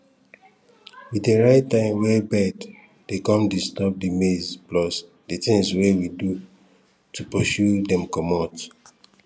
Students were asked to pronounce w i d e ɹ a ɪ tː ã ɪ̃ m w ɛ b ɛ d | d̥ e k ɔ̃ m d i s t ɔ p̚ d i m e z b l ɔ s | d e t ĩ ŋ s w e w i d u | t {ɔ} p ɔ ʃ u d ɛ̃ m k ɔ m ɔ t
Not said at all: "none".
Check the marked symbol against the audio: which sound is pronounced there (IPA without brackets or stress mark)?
u